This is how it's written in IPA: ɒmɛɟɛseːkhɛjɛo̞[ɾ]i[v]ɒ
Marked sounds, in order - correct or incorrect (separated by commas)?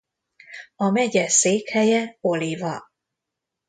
incorrect, correct